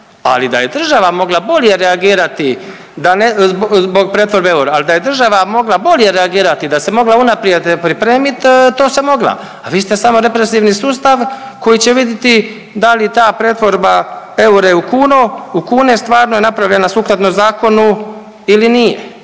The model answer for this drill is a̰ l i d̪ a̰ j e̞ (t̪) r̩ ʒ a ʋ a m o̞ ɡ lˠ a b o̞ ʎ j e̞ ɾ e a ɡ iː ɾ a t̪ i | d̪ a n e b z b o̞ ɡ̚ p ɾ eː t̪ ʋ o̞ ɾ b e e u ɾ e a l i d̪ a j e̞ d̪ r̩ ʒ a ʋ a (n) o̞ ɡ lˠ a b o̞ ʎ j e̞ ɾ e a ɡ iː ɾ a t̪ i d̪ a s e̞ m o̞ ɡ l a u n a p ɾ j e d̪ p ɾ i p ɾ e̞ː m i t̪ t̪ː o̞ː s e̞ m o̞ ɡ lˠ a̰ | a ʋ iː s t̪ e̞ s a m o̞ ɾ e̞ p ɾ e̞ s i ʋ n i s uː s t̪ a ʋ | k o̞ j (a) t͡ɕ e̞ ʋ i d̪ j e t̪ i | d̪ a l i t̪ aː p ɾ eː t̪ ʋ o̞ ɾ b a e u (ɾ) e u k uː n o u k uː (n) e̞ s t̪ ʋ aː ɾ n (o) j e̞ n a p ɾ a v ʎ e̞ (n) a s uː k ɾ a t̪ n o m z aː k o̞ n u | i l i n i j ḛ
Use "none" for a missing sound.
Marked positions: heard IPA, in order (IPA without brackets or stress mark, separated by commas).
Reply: d̪, m, i, ɾ, n, o, n